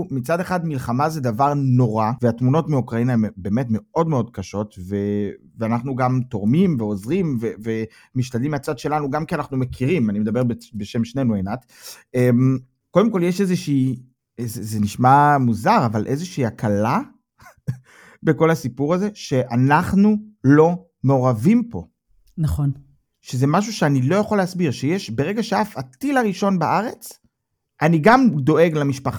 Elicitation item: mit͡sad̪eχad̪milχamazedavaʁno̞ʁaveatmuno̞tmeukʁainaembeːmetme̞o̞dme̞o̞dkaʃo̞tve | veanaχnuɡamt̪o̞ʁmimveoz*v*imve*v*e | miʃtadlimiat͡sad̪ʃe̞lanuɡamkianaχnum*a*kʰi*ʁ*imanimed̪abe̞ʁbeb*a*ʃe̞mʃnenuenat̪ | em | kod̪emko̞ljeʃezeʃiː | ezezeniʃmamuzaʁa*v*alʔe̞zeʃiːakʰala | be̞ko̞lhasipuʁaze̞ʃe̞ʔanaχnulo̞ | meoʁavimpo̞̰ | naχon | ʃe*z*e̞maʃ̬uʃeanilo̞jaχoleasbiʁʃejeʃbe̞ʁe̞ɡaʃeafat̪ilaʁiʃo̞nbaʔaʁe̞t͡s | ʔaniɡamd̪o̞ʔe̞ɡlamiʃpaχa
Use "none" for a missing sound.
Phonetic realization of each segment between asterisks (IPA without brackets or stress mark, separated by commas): ʁ, v, e, ʁ, e, v, z